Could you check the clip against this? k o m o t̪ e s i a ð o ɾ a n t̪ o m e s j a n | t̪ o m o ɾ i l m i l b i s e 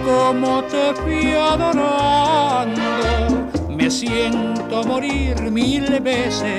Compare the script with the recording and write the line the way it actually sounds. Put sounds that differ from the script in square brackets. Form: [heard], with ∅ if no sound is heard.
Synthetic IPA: k o m o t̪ e [f] i a ð o ɾ a n [d̪] o m e s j [e] n | t̪ o m o ɾ i [ɾ] m i l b [e] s e